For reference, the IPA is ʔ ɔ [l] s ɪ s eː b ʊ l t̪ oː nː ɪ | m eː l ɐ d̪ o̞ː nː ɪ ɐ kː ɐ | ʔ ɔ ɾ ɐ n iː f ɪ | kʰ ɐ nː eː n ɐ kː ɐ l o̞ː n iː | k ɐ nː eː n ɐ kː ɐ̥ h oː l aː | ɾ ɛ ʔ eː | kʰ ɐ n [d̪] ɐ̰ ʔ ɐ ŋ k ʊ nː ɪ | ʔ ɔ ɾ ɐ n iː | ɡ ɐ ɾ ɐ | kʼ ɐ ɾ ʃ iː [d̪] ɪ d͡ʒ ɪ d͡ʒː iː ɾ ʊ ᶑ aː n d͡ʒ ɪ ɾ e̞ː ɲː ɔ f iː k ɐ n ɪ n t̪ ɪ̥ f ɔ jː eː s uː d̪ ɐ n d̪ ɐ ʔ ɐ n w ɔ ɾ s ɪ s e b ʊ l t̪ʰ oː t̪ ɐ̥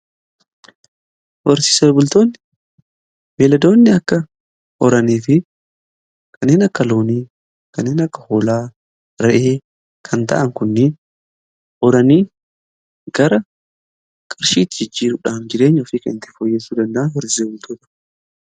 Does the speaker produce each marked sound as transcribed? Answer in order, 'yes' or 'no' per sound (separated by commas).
no, no, no